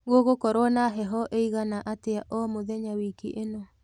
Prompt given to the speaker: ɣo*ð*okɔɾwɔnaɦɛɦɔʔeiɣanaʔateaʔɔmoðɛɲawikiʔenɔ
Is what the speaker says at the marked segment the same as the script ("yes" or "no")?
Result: no